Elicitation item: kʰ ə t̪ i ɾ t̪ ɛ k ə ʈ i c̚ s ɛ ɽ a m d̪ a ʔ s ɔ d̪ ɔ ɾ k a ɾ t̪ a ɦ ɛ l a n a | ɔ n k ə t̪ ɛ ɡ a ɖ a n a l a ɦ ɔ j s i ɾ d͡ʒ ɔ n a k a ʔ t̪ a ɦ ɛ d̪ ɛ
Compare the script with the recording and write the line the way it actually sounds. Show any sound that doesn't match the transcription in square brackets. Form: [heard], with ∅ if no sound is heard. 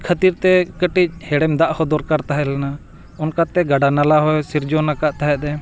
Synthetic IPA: kʰ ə t̪ i ɾ t̪ ɛ k ə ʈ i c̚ [h] ɛ ɽ [ɛ] m d̪ a ʔ [h] ɔ d̪ ɔ ɾ k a ɾ t̪ a ɦ ɛ l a n a | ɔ n k [a] t̪ ɛ ɡ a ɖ a n a l a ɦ ɔ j s i ɾ d͡ʒ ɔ n a k a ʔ t̪ a ɦ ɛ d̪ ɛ